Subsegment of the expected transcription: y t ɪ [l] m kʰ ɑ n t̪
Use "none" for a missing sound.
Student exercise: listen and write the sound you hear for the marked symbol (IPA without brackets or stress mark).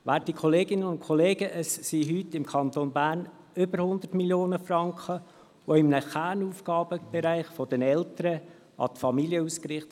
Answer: none